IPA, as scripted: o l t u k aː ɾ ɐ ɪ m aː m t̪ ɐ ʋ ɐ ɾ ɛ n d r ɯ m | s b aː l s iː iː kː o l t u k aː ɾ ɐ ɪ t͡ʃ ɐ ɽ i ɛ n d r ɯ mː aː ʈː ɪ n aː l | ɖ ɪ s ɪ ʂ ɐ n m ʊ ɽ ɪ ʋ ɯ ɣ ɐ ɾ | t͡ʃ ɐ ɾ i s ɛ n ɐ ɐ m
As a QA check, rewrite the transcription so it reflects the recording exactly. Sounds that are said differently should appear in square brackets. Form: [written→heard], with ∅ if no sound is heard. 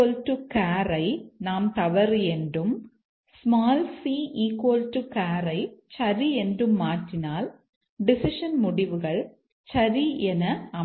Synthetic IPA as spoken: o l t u k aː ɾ ɐ ɪ [m→n] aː m t̪ ɐ ʋ ɐ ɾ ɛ n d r ɯ m | s [b→m] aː l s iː iː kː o l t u k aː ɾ ɐ ɪ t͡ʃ ɐ [ɽ→ɾ] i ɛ n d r ɯ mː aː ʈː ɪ n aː l | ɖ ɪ s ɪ ʂ ɐ n m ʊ ɽ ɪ ʋ ɯ ɣ ɐ [ɾ→ɭ] | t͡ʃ ɐ ɾ i [s→∅] ɛ n ɐ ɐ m

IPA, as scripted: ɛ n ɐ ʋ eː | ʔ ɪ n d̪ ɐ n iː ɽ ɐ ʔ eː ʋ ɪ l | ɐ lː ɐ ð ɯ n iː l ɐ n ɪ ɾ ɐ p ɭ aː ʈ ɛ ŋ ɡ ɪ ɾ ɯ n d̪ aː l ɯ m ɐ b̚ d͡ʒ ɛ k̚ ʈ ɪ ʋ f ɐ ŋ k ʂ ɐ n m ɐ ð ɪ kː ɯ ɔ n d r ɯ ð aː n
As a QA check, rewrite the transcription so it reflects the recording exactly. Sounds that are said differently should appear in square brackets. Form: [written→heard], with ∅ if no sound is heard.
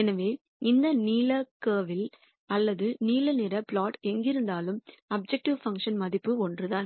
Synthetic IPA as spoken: ɛ n ɐ ʋ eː | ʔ ɪ n d̪ ɐ n iː [ɽ→l] ɐ [ʔ→k] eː ʋ ɪ l | ɐ lː ɐ ð ɯ n iː l ɐ n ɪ ɾ ɐ p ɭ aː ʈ ɛ ŋ ɡ ɪ ɾ ɯ n d̪ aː l ɯ m ɐ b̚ d͡ʒ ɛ k̚ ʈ ɪ ʋ f ɐ ŋ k ʂ ɐ n m ɐ ð ɪ [kː→pː] ɯ ɔ n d r ɯ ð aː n

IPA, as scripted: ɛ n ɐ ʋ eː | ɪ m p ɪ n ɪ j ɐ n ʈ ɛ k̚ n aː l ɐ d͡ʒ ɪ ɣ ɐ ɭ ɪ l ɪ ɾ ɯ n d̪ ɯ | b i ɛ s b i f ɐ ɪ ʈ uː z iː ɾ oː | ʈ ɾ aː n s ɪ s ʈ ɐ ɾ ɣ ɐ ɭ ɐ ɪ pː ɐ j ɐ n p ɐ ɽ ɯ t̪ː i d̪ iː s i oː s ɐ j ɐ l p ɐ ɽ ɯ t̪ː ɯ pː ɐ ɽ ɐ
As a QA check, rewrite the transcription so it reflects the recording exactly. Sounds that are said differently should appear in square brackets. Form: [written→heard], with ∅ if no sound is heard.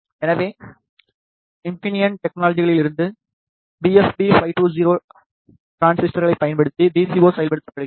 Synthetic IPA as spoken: ɛ n ɐ ʋ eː | ɪ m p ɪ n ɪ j ɐ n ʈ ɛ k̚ n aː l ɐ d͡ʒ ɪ ɣ ɐ ɭ ɪ l ɪ ɾ ɯ n d̪ ɯ | b i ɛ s b i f ɐ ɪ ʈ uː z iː ɾ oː | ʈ ɾ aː n s ɪ s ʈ ɐ ɾ ɣ ɐ ɭ ɐ ɪ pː ɐ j ɐ n p ɐ ɽ ɯ t̪ː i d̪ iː s i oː s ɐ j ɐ l p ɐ ɽ ɯ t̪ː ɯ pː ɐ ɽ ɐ

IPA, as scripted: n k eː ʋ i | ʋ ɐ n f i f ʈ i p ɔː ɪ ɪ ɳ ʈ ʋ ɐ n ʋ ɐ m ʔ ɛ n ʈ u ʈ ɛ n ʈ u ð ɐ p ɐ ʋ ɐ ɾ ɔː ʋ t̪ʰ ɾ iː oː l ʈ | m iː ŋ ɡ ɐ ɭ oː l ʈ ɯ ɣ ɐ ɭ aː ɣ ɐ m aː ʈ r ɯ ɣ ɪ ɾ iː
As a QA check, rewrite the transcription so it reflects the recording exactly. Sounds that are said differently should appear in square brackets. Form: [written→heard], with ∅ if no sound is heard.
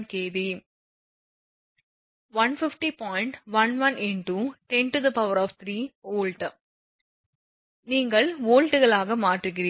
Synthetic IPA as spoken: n k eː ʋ i | ʋ ɐ n f [i→ɪ] f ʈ i p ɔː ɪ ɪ ɳ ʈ ʋ ɐ n ʋ ɐ [m→n] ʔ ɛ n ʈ u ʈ ɛ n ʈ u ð ɐ p ɐ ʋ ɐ ɾ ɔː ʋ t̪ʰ ɾ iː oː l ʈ | [m→n] iː ŋ ɡ ɐ ɭ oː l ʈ ɯ ɣ ɐ ɭ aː ɣ ɐ m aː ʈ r ɯ ɣ ɪ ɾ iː

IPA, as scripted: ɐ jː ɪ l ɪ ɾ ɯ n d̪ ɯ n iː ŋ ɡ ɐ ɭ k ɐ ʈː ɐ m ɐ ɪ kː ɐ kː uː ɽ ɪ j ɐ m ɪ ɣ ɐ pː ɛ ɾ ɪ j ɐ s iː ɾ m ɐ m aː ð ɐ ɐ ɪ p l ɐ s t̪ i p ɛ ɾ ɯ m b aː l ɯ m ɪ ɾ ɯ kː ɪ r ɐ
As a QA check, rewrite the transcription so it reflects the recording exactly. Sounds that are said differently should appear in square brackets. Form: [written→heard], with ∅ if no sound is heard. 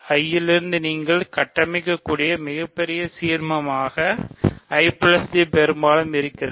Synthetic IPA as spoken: ɐ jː ɪ l ɪ ɾ ɯ n d̪ ɯ n iː ŋ ɡ ɐ ɭ k ɐ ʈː ɐ m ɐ ɪ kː ɐ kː uː ɽ ɪ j ɐ m ɪ ɣ ɐ pː ɛ ɾ ɪ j ɐ s iː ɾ m ɐ m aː [ð→ɣ] ɐ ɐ ɪ p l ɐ s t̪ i p ɛ ɾ ɯ m b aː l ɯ m ɪ ɾ ɯ kː ɪ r ɐ

